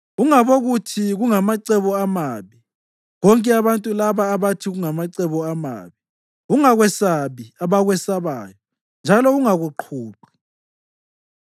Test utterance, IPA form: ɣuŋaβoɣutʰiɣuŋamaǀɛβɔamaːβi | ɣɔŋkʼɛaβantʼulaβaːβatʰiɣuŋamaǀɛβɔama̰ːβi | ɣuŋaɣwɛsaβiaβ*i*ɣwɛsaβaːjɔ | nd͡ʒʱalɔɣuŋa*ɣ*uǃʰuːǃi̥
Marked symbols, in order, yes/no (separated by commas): no, yes